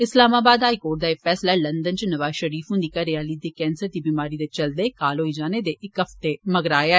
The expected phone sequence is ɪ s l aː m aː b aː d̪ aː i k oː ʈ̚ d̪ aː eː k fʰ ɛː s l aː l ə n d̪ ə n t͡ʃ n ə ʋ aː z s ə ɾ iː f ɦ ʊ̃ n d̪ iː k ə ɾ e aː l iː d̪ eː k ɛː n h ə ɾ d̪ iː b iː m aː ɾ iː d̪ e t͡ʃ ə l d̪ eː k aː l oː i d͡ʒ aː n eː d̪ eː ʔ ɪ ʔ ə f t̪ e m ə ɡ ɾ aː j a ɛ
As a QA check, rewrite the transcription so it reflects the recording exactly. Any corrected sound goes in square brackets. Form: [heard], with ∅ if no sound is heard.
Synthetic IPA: ɪ s l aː m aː b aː d̪ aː i k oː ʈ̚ d̪ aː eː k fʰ ɛː s l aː l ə n d̪ ə n t͡ʃ n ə ʋ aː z [ʃ] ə ɾ iː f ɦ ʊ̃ n d̪ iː k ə ɾ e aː l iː d̪ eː k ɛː n [s] ə ɾ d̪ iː b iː m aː ɾ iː d̪ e t͡ʃ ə l d̪ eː k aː l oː i d͡ʒ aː n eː d̪ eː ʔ ɪ [k] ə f t̪ e m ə ɡ ɾ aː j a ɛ